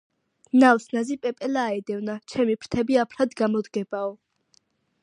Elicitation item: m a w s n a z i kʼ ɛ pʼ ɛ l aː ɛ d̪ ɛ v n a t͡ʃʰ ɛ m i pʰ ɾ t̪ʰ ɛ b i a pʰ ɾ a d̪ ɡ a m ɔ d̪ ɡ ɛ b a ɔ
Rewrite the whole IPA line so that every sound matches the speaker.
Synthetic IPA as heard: n a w s n a z i pʼ ɛ pʼ ɛ l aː ɛ d̪ ɛ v n a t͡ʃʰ ɛ m i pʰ ɾ t̪ʰ ɛ b i a pʰ ɾ a d̪ ɡ a m ɔ d̪ ɡ ɛ b a ɔ